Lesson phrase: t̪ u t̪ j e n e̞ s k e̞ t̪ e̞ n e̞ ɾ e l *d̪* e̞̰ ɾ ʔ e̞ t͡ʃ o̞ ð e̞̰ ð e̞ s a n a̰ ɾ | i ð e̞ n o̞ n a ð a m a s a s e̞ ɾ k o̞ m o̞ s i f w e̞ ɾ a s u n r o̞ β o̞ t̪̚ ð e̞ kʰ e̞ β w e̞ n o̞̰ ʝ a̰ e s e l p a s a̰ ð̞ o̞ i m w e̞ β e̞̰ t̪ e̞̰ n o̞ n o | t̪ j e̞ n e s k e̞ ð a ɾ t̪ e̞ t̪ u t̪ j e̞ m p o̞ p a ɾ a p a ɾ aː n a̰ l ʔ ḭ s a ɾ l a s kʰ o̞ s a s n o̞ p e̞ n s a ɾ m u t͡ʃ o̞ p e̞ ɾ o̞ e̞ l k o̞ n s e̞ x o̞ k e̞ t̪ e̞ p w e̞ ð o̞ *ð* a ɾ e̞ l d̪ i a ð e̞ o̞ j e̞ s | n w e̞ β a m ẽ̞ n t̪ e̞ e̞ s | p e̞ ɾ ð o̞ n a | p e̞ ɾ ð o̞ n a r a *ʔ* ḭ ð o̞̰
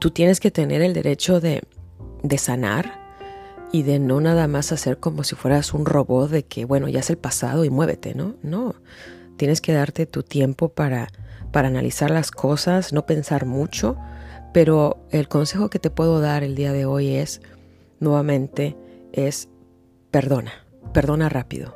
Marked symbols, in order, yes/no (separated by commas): yes, yes, no